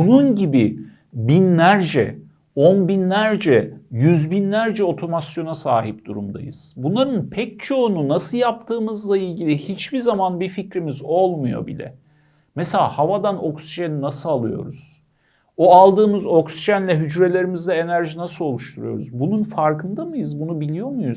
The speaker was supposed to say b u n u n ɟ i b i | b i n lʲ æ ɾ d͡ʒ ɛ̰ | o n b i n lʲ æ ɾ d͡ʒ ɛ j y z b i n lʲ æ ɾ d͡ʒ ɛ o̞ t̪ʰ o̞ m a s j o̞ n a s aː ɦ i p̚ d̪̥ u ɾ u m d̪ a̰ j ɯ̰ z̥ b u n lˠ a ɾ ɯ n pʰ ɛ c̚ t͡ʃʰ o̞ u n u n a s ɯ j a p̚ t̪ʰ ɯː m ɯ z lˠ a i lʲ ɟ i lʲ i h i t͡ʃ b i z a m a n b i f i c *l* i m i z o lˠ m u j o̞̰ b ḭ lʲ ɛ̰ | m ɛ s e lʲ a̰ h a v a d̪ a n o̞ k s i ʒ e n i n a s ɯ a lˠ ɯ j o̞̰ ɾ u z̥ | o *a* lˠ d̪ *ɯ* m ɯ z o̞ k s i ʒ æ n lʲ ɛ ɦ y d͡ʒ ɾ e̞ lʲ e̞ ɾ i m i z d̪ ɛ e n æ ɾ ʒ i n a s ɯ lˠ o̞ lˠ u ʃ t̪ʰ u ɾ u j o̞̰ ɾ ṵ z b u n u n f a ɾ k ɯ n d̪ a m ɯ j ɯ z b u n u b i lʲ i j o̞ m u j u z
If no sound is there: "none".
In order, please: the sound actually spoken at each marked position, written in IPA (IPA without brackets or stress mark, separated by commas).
ɾ, a, ɯː